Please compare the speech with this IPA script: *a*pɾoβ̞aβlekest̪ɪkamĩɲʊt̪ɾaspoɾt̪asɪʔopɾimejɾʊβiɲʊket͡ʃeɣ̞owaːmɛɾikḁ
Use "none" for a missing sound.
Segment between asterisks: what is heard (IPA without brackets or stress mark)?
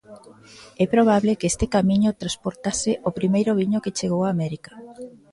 ɛ